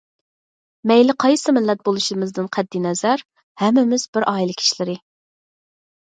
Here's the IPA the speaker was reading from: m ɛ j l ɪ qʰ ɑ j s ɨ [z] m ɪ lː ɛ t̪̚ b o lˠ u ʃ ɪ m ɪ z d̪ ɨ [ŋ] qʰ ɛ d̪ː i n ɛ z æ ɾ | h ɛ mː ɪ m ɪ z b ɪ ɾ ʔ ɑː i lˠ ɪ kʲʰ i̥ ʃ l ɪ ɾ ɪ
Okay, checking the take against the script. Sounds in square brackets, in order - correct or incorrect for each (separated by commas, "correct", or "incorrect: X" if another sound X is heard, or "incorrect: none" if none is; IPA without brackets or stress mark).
incorrect: none, incorrect: n